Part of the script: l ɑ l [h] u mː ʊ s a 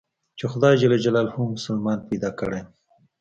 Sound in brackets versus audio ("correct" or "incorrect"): correct